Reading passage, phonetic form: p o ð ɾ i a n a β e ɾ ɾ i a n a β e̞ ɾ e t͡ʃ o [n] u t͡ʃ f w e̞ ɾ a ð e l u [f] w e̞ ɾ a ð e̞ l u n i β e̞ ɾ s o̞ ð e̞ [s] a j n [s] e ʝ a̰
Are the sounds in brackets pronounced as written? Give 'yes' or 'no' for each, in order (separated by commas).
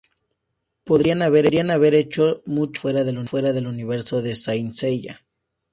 no, yes, yes, yes